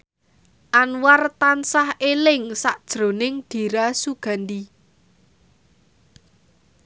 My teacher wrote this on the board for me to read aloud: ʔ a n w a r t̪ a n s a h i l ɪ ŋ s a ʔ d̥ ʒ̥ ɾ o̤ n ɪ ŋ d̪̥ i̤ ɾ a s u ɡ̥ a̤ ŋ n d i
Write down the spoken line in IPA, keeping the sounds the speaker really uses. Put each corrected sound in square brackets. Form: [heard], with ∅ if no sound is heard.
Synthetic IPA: ʔ a n w a r t̪ a n s a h [e] l ɪ ŋ s a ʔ d̥ ʒ̥ ɾ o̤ n ɪ ŋ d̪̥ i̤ ɾ a s u ɡ̥ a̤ [∅] n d i